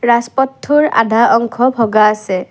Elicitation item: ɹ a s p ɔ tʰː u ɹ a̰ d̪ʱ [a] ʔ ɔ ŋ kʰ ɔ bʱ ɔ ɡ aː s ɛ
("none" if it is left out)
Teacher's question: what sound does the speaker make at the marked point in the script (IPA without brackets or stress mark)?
a